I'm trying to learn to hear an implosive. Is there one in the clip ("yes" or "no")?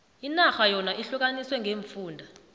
no